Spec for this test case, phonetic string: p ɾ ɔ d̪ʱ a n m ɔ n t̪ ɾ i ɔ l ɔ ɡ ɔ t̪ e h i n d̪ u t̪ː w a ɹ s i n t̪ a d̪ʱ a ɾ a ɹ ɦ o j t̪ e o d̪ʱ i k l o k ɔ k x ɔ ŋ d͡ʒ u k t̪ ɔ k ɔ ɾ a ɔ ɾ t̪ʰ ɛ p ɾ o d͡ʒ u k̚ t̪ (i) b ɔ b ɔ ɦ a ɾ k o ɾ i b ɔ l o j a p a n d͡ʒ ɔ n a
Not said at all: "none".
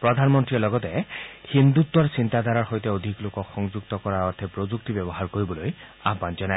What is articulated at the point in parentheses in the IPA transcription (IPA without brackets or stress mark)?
i